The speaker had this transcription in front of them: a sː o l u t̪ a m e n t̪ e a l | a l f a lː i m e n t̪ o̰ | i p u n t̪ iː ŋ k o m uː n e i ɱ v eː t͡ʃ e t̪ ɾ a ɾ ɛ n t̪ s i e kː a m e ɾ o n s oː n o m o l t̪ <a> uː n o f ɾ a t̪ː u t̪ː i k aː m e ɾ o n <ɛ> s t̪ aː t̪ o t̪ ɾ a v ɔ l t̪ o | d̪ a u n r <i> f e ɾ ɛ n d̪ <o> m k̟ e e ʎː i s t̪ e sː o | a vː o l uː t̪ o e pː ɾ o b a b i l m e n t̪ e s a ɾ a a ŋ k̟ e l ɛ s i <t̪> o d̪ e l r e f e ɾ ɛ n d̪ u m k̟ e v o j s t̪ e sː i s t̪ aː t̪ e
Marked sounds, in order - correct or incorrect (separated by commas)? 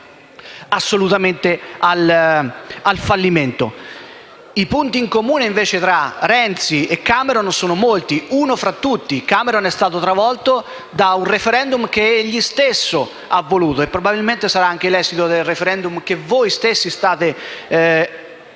incorrect, correct, incorrect, incorrect, correct